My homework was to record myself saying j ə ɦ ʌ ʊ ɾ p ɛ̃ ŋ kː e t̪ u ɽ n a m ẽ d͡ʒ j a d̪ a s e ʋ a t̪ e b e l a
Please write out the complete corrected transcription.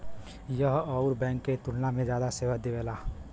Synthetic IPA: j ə ɦ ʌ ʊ ɾ b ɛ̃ ŋ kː e t̪ u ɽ n a m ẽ d͡ʒ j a d̪ a s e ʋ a d̪ e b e l a